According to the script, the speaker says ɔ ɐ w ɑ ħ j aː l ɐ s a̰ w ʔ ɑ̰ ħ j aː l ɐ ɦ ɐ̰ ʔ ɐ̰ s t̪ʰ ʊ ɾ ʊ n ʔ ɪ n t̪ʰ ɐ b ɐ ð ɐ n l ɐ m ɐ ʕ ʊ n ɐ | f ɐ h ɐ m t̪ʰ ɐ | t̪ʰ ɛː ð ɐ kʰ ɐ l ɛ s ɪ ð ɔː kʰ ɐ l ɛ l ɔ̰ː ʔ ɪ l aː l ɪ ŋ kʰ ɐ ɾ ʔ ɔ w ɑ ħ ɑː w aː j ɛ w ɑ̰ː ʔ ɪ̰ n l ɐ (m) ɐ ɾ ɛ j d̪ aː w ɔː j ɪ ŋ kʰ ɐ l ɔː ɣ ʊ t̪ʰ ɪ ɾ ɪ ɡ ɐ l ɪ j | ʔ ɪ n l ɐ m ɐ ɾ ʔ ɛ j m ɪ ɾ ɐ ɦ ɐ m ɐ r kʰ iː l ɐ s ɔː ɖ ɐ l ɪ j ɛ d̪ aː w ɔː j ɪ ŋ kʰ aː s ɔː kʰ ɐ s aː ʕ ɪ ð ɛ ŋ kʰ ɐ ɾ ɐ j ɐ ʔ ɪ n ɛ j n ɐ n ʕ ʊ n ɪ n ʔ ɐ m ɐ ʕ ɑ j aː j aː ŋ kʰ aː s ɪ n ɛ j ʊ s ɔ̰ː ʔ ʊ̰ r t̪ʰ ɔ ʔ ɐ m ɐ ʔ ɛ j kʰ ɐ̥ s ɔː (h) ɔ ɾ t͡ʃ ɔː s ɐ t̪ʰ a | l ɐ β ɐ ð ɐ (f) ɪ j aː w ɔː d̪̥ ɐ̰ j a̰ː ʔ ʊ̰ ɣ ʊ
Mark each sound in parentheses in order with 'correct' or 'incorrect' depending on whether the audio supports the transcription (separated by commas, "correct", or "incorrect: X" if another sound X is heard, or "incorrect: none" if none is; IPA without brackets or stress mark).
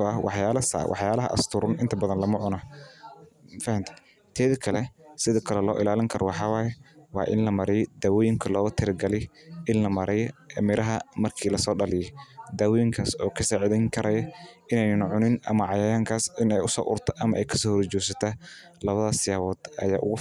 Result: correct, correct, incorrect: s